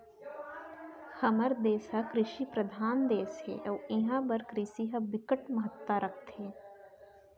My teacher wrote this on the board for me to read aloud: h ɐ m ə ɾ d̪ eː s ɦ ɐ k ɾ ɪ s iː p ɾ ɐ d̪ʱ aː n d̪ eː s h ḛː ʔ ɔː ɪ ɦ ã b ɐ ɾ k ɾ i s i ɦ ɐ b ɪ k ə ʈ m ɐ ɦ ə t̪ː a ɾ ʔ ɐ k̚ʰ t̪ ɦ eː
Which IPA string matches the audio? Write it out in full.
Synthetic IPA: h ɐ m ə ɾ d̪ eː s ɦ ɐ k ɾ ɪ ʃ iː p ɾ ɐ d̪ʱ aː n d̪ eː s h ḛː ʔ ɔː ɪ ɦ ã b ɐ ɾ k ɾ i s i ɦ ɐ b ɪ k ə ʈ m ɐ ɦ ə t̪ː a ɾ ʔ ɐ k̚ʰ t̪ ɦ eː